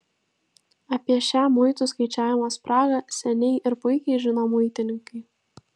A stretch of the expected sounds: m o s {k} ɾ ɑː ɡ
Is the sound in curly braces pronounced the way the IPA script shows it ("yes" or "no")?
no